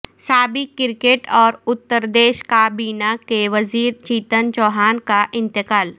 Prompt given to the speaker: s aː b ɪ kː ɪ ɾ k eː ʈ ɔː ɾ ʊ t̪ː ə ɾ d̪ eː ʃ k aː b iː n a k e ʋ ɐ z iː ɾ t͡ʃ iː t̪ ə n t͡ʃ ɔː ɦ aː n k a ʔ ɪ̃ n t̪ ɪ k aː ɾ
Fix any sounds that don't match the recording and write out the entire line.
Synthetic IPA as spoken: s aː b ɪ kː ɪ ɾ k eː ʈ ɔː ɾ ʊ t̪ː ə ɾ d̪ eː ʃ k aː b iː n a k e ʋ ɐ z iː ɾ t͡ʃ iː t̪ ə n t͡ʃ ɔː ɦ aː n k a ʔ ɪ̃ n t̪ ɪ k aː l